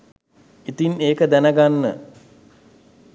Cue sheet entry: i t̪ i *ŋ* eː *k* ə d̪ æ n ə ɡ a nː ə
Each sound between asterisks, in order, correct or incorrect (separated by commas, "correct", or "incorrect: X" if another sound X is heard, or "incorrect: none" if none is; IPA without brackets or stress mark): incorrect: n, correct